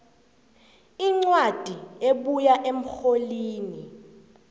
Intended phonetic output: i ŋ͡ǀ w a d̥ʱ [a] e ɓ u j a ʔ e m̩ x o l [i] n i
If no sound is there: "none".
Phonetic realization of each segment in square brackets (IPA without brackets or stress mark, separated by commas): i, iː